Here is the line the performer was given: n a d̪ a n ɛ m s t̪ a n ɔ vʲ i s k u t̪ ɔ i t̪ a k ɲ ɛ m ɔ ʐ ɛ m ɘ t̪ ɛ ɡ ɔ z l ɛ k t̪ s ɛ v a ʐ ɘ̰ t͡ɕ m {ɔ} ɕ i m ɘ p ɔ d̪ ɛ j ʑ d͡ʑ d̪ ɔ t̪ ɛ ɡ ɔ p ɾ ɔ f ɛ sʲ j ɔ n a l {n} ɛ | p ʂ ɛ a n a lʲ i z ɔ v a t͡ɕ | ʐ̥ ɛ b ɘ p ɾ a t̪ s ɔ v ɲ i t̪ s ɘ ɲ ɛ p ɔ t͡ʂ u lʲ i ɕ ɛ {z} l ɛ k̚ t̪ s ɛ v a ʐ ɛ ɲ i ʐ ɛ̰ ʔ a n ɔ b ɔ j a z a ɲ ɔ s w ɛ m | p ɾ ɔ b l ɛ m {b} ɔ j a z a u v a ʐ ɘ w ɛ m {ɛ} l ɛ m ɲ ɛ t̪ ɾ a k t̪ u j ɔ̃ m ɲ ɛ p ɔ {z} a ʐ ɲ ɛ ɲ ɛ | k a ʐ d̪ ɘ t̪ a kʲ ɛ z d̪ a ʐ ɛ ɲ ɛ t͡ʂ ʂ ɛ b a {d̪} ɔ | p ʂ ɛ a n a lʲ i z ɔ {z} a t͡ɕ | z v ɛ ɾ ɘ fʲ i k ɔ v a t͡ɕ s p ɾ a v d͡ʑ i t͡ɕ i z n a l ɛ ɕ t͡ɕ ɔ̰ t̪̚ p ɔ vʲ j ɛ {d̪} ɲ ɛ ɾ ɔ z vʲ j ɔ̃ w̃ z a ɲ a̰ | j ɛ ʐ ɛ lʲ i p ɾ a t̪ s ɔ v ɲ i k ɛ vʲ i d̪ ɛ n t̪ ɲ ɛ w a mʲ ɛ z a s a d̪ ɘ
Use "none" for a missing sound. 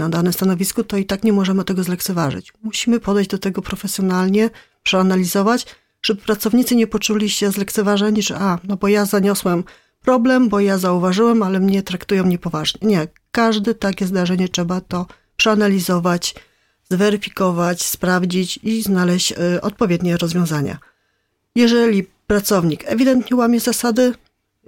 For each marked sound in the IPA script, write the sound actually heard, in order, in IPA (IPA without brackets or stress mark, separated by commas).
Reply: u, ɲ, z, b, a, v, t̪, v, d̪